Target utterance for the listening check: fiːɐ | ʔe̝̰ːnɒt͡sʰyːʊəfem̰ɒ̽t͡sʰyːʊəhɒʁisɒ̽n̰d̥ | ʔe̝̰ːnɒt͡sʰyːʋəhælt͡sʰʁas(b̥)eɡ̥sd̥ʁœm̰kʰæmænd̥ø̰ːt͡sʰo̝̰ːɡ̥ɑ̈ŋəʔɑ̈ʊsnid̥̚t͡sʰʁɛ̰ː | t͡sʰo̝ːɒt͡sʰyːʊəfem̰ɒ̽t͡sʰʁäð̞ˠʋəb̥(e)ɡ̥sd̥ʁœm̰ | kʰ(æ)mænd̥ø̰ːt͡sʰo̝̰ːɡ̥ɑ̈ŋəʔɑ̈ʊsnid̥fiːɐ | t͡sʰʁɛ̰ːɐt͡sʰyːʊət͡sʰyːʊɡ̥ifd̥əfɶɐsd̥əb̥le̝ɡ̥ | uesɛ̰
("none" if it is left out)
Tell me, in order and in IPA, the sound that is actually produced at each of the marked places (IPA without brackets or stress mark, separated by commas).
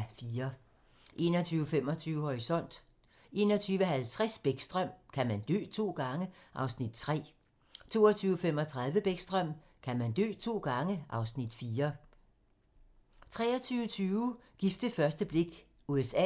b̥, e, æ